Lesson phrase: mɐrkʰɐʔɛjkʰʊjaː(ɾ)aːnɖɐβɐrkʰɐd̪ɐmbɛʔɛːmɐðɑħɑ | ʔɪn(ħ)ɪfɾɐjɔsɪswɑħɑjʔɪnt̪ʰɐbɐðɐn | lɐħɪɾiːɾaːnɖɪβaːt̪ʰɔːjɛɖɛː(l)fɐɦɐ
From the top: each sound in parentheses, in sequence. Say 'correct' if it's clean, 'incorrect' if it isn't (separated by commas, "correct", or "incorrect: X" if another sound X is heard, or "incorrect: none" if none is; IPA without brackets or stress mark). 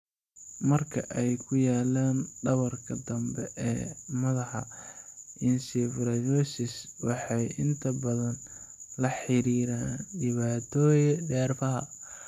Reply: incorrect: l, incorrect: s, incorrect: r